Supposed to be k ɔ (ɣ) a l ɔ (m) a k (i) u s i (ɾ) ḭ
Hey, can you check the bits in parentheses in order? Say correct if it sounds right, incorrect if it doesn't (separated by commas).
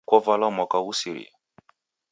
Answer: incorrect, correct, incorrect, correct